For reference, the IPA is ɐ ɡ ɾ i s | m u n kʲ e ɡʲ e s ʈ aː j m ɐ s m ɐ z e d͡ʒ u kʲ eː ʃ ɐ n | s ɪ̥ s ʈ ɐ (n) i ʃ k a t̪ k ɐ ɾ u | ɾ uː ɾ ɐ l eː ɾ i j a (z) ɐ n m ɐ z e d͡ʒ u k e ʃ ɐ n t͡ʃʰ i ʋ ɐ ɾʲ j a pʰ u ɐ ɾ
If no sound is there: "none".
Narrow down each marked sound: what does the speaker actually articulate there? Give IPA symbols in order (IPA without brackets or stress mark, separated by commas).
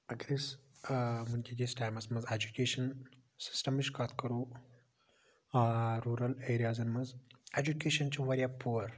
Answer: m, z